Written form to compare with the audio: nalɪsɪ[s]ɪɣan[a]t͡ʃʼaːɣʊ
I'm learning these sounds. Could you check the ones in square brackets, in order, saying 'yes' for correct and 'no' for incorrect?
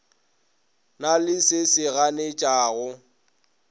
yes, no

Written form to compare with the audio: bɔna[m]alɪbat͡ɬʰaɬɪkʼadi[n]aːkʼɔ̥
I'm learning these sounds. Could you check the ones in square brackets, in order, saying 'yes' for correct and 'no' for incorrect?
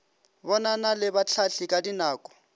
no, yes

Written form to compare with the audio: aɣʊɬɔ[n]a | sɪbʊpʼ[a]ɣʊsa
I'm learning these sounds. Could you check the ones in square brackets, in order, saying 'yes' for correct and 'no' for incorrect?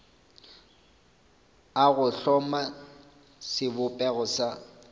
no, no

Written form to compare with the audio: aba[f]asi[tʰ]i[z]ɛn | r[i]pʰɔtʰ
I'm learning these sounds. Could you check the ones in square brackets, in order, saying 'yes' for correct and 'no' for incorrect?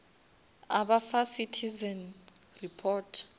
yes, yes, yes, yes

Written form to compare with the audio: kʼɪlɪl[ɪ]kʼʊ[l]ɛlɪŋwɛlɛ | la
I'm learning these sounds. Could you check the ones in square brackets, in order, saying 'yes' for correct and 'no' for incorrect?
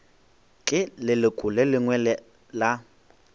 yes, yes

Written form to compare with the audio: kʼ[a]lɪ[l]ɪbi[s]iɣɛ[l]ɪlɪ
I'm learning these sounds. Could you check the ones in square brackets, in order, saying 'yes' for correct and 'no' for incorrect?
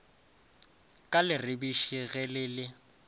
yes, no, no, yes

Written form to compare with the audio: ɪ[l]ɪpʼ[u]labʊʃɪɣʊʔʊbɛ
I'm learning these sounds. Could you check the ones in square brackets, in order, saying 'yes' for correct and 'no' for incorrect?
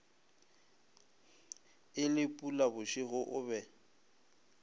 yes, yes

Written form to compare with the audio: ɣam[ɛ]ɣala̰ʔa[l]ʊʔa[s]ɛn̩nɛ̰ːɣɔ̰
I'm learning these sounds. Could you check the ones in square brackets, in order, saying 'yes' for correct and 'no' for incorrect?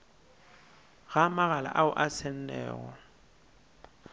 no, no, yes

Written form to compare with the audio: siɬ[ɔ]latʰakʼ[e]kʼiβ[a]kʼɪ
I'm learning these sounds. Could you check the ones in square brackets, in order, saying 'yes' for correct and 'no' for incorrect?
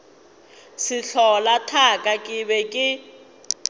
yes, no, no

